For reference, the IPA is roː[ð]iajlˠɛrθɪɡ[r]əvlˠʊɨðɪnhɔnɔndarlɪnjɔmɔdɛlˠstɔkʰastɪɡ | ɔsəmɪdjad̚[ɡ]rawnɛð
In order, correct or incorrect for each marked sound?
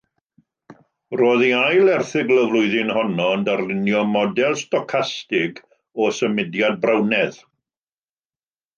correct, incorrect: l, incorrect: b

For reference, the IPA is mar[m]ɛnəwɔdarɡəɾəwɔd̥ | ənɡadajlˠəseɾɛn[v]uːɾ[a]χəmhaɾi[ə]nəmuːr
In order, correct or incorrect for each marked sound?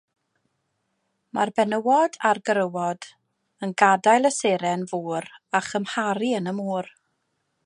incorrect: b, correct, correct, correct

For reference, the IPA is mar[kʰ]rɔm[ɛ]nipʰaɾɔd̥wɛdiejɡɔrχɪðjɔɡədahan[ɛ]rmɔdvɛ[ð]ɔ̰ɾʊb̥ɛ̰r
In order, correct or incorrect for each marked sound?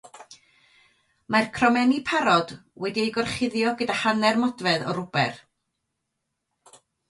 correct, correct, correct, correct

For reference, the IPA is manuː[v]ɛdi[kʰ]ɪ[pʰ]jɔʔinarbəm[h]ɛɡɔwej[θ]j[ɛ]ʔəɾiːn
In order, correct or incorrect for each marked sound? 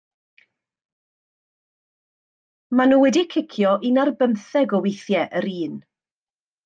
incorrect: w, correct, incorrect: kʰ, incorrect: θ, correct, correct

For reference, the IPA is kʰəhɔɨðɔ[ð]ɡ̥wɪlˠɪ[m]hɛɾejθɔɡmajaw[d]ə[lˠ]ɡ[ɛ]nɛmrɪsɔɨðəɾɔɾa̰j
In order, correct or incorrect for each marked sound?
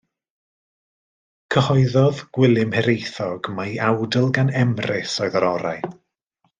correct, correct, correct, correct, incorrect: a

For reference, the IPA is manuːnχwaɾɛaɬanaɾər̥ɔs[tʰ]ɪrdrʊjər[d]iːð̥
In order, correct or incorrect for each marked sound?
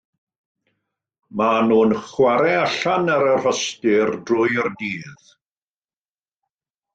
incorrect: t, correct

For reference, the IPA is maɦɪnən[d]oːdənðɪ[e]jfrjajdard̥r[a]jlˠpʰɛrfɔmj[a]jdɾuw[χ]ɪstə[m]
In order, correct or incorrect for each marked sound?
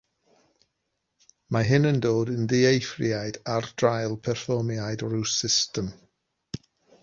correct, correct, correct, correct, incorrect: s, correct

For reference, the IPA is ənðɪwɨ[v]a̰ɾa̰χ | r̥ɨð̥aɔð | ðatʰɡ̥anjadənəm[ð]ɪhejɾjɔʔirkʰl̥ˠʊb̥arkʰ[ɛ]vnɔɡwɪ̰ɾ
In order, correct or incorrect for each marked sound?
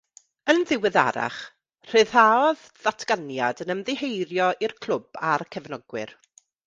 incorrect: ð, correct, correct

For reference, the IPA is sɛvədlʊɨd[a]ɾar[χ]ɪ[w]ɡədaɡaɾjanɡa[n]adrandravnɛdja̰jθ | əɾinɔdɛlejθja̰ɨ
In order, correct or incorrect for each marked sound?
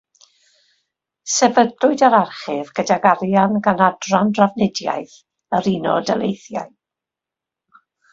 correct, correct, incorrect: v, correct

